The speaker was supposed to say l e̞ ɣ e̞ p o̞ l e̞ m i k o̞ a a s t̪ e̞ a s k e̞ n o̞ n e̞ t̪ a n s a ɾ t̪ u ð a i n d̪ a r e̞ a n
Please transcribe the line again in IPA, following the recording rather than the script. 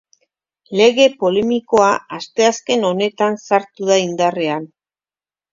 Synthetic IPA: l e̞ ɣ e̞ p o̞ l e̞ m i k o̞ a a s t̪ e̞ a s k e̞ n o̞ n e̞ t̪ a n s a ɾ t̪ u ð a i n d̪ a r e̞ a n